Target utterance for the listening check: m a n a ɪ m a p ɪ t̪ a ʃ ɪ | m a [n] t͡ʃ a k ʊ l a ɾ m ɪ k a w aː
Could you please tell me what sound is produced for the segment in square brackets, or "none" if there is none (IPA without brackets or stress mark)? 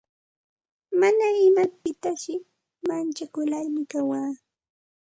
n